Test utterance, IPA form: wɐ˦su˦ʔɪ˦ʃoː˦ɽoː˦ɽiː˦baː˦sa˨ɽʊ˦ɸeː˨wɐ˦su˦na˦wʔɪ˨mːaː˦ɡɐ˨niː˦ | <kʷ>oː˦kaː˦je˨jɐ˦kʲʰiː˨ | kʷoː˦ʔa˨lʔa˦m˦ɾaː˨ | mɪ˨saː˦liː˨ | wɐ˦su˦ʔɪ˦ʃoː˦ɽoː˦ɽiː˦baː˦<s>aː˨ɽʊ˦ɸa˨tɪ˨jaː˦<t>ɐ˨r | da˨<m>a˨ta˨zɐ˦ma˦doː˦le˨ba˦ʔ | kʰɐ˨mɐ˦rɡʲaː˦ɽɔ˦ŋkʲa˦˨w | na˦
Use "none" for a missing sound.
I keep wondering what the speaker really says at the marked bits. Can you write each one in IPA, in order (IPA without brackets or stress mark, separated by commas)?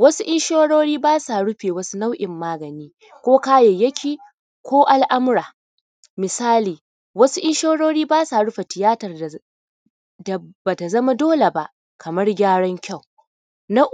kʷ, s, t, b